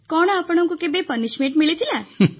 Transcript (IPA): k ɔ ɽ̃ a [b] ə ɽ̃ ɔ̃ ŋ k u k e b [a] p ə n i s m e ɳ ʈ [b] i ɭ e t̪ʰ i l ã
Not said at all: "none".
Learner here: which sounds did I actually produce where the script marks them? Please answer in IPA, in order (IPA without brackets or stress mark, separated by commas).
p, e, m